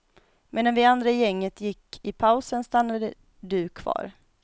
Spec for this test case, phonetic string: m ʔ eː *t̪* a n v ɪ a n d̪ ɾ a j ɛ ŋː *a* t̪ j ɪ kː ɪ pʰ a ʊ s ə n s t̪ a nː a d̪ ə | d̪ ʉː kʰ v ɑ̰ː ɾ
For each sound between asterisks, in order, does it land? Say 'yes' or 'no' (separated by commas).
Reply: no, no